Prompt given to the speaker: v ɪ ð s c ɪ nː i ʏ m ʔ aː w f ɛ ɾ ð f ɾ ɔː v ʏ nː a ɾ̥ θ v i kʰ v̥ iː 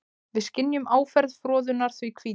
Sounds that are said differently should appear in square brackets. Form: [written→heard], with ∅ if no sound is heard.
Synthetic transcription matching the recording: v ɪ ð s c ɪ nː [i→j] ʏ m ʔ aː w f ɛ ɾ ð f ɾ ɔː [v→ð] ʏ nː a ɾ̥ θ v i kʰ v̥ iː